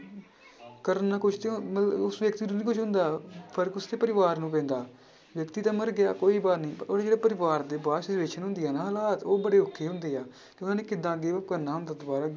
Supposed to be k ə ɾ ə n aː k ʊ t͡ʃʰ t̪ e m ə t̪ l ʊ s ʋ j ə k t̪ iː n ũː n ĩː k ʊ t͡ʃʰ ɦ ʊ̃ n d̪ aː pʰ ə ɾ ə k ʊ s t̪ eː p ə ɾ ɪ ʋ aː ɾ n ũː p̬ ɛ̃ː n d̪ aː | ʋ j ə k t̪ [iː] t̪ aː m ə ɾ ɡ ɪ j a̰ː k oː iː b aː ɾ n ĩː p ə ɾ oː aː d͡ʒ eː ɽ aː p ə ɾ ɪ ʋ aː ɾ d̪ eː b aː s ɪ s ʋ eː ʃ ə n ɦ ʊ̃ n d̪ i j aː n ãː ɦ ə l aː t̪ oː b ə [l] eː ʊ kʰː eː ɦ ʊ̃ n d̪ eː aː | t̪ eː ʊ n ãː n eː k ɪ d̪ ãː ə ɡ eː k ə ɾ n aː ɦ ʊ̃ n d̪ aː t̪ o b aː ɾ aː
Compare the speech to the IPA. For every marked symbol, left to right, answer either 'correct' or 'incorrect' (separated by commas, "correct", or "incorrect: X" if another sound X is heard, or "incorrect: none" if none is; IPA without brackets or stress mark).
correct, incorrect: ɽ